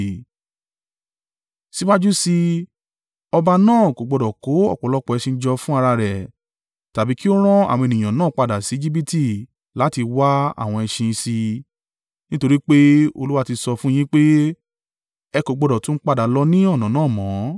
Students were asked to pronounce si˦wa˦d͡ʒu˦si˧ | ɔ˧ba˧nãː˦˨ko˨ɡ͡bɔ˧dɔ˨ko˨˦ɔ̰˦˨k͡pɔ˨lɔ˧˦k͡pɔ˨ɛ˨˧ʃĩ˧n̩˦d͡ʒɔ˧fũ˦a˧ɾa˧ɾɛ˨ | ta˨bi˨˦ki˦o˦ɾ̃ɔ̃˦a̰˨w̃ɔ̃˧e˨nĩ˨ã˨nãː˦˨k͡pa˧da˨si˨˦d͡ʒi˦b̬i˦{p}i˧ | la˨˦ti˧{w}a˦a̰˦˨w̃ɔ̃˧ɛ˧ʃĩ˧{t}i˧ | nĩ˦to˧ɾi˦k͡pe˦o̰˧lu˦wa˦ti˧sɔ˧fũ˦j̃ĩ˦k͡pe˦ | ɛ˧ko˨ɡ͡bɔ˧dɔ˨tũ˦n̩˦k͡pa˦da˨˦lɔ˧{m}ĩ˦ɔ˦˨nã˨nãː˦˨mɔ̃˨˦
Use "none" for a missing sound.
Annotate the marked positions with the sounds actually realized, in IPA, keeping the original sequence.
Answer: t, w, s, n

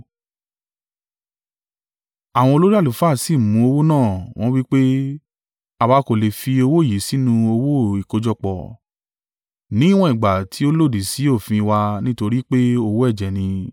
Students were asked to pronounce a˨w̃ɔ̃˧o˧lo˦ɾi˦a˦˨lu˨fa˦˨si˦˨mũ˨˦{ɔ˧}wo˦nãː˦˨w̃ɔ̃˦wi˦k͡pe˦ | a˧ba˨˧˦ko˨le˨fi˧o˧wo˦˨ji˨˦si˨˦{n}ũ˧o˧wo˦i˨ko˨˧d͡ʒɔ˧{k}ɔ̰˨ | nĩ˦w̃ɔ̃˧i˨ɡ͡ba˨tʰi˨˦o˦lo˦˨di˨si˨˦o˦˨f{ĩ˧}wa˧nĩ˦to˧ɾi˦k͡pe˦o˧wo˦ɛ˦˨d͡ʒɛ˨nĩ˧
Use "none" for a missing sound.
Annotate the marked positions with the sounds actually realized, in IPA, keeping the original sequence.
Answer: o˧, n, k͡p, ĩ˧

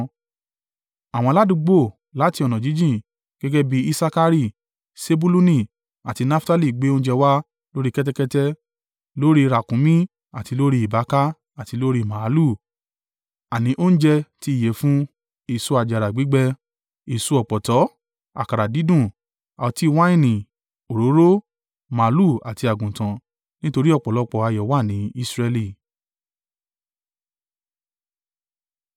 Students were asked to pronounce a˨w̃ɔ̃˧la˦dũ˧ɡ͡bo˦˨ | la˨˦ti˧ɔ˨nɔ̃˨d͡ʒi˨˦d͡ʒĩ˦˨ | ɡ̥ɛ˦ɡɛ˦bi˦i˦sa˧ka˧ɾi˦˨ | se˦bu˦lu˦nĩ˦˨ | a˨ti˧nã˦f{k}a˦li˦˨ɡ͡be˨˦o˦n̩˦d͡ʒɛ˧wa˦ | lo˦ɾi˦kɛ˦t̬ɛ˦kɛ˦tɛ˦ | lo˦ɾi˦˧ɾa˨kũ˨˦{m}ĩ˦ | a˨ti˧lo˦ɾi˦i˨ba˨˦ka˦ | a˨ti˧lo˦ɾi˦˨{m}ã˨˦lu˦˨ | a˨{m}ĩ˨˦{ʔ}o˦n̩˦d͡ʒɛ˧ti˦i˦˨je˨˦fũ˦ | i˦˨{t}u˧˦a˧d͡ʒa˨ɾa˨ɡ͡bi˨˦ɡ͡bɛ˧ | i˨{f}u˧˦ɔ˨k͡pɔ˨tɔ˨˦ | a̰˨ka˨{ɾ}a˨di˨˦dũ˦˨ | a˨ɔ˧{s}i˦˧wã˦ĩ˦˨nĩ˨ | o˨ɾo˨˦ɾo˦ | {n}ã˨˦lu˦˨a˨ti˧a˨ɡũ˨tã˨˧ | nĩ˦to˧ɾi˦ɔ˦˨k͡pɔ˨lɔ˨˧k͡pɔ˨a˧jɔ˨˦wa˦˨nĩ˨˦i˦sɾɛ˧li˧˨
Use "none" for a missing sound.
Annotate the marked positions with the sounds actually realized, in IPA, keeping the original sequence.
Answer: t, m, m, n, ʔ, s, s, ɾ, t, m

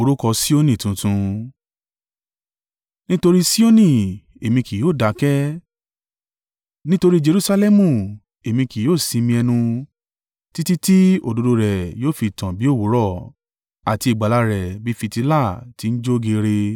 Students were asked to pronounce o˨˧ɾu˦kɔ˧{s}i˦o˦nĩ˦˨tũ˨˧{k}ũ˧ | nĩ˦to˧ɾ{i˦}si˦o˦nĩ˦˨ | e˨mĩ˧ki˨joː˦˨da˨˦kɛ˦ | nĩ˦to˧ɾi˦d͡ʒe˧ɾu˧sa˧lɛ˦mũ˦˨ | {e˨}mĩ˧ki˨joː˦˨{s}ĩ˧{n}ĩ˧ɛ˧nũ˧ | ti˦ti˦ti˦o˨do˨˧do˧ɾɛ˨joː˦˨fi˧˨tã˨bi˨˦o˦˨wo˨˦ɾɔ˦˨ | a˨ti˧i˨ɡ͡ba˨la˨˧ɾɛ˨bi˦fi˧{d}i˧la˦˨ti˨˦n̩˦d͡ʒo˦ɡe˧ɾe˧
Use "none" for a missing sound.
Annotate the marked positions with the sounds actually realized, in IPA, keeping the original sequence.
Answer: s, t, i˦, e˨, s, m, t

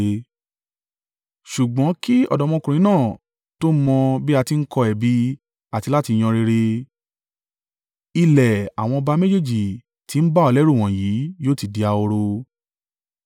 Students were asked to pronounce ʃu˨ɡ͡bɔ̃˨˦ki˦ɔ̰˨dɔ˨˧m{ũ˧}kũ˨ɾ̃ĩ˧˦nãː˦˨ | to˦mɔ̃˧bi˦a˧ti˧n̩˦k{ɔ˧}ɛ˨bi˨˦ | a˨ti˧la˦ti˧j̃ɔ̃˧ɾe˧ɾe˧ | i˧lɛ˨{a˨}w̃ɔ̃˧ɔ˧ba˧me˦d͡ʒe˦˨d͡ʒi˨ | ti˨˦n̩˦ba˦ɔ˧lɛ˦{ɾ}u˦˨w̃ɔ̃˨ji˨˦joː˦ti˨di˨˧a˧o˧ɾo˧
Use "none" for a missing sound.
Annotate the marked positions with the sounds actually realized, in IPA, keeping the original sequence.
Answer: ɔ̃˧, ɔ˧, a˨, ɾ

